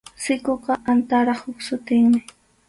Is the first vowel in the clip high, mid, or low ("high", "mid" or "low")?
high